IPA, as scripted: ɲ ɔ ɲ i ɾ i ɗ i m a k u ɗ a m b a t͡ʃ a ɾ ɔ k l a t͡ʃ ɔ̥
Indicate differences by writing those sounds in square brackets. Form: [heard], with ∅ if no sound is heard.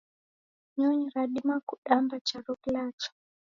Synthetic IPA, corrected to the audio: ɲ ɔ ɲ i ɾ [a] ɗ i m a k u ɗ a m b a t͡ʃ a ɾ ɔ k l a t͡ʃ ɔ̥